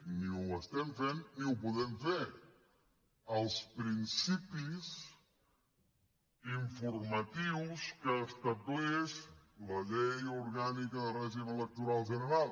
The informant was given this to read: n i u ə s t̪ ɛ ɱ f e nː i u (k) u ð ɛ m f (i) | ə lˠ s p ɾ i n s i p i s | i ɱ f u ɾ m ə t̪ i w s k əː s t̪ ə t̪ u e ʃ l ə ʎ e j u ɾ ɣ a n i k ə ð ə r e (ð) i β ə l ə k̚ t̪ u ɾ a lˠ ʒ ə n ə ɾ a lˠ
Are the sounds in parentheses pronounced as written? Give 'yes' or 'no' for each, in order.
no, no, no

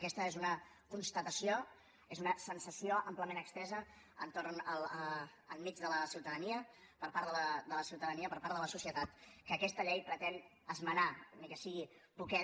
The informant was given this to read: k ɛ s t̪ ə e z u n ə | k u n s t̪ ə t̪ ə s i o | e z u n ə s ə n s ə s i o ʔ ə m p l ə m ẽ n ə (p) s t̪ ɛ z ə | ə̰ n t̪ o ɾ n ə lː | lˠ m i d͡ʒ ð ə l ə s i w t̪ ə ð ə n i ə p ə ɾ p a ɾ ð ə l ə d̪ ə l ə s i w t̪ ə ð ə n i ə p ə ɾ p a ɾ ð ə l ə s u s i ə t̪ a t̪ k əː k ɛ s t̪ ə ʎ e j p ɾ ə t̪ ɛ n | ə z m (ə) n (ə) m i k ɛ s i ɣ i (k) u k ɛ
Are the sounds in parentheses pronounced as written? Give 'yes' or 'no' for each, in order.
no, yes, no, no

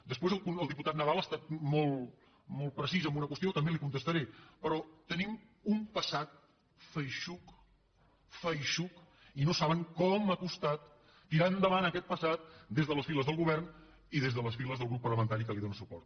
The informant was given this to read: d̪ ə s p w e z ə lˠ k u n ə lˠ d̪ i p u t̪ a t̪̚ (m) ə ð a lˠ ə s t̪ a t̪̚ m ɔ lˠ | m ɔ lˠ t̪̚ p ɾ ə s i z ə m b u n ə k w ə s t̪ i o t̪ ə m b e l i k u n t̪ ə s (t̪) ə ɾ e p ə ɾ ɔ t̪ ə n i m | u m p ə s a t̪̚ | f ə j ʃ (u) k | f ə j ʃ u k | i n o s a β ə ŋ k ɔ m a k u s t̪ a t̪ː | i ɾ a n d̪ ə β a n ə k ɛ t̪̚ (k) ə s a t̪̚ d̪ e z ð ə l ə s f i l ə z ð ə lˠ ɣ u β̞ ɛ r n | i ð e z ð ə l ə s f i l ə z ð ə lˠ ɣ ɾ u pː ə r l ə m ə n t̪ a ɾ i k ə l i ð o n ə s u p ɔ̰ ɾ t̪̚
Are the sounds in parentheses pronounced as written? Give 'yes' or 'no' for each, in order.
no, yes, yes, no

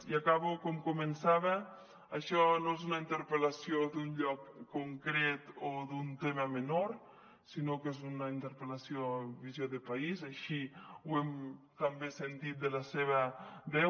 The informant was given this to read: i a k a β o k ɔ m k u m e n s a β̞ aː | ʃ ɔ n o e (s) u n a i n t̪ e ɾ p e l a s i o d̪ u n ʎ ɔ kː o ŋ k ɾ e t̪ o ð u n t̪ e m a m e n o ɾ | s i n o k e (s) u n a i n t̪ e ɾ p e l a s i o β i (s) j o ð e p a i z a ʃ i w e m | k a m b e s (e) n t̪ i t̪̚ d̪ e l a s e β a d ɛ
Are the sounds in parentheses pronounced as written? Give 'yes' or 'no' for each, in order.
no, no, no, yes

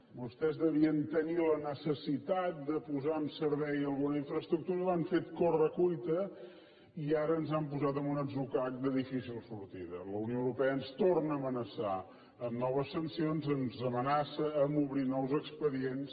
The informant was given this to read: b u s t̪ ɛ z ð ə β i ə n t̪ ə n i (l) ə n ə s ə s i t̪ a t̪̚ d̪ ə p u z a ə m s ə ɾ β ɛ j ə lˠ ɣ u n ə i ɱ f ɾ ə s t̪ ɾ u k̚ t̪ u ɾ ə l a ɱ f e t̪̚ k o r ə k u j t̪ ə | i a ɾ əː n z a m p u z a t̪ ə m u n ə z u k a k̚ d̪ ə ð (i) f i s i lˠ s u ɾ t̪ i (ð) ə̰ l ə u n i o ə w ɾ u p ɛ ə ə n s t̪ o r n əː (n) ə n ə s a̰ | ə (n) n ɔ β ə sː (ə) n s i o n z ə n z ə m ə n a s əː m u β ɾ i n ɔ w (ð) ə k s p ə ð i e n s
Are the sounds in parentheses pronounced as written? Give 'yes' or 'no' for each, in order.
yes, yes, yes, no, no, yes, no

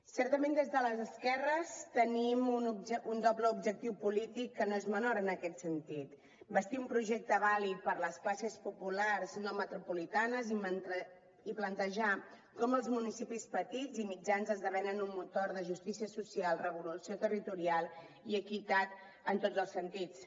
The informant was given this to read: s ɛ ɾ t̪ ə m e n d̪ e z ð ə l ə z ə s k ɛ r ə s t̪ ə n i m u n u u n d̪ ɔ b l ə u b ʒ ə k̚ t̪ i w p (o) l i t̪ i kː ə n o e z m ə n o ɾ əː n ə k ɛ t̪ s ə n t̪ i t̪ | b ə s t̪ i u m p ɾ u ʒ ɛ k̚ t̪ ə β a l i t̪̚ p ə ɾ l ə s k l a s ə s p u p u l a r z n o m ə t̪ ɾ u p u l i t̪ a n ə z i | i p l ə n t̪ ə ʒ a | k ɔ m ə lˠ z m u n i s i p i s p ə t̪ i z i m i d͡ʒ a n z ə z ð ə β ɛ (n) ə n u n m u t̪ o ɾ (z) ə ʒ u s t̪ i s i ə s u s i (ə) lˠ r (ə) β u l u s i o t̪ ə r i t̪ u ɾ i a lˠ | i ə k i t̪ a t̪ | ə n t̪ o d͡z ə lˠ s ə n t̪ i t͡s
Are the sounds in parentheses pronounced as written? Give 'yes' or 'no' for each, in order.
no, yes, no, no, yes

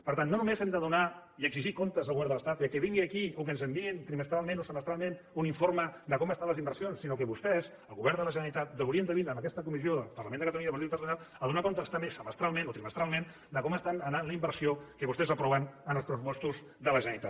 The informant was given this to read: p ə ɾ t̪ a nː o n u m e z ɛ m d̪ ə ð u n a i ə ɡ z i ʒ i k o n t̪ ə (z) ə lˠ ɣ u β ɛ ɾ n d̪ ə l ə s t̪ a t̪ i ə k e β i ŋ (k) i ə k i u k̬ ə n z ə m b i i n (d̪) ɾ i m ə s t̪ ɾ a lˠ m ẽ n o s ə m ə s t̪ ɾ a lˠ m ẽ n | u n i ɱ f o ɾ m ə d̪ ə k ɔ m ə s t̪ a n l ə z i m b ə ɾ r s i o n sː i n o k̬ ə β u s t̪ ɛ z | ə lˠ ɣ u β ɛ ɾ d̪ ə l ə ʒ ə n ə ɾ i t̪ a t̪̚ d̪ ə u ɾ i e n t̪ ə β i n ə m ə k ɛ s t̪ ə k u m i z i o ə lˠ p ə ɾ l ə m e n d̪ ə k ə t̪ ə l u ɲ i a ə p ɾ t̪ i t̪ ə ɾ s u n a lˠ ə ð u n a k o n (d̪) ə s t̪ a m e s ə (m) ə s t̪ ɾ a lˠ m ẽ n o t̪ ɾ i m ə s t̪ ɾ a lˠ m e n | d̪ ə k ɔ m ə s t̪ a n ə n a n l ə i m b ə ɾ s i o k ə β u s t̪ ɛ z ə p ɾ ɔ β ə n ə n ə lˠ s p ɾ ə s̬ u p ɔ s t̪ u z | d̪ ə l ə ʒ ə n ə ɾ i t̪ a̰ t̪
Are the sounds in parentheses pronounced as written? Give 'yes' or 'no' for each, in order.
yes, no, no, no, yes

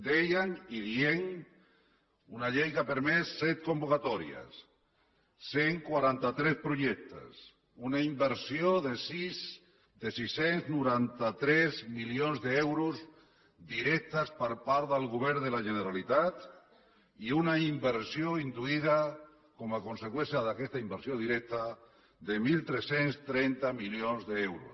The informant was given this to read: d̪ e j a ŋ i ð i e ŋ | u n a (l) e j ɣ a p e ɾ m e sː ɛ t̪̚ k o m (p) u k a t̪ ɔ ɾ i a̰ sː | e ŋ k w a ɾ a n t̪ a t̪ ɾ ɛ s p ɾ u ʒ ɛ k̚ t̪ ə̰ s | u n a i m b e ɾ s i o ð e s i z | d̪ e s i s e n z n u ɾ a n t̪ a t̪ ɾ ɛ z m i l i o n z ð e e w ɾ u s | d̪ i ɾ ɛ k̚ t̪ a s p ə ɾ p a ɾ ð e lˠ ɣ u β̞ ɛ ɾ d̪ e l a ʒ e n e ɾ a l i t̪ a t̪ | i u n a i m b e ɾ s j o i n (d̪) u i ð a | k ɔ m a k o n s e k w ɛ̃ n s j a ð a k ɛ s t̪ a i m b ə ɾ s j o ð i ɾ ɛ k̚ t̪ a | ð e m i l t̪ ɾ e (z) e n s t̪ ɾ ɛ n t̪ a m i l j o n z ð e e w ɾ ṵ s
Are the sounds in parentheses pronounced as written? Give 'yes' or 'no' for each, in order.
no, no, yes, no

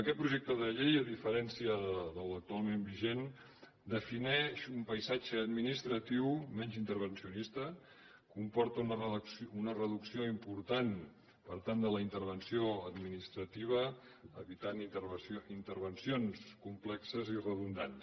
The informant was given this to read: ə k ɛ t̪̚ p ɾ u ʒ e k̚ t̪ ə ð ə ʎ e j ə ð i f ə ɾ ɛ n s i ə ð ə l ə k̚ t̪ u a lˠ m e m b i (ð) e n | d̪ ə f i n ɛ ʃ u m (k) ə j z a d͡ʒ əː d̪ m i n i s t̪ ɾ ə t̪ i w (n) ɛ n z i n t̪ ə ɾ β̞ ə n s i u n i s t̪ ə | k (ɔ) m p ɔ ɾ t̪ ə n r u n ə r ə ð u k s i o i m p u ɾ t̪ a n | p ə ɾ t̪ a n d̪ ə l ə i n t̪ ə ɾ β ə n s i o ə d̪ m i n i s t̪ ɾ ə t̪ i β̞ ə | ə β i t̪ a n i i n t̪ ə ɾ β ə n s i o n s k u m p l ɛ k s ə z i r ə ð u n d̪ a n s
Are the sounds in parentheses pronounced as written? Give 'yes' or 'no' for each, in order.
no, no, no, no

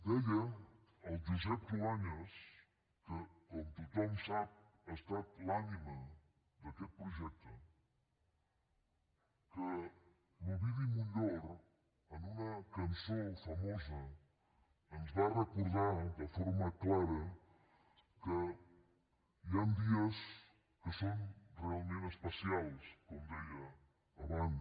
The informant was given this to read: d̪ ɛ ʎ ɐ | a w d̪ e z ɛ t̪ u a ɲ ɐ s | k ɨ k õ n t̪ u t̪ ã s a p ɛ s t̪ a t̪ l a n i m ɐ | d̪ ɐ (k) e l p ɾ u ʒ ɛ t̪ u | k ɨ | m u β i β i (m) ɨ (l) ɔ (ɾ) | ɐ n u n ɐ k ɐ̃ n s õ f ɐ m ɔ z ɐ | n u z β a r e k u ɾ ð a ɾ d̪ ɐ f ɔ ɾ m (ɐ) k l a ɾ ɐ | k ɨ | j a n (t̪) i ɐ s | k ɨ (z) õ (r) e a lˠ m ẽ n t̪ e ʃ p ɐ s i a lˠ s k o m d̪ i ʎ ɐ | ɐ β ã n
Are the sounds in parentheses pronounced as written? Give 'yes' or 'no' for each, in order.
yes, yes, no, yes, yes, no, no, yes

